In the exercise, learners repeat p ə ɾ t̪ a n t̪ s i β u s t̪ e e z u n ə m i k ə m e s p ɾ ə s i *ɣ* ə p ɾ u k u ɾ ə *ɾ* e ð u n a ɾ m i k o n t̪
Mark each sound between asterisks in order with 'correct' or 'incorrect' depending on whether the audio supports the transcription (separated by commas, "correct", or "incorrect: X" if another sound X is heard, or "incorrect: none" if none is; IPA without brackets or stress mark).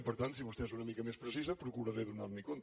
incorrect: z, correct